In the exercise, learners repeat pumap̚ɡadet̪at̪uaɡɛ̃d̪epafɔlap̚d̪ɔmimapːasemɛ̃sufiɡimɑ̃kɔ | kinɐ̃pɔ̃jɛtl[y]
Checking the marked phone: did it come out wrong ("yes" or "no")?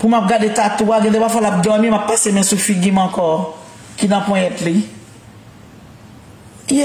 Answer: yes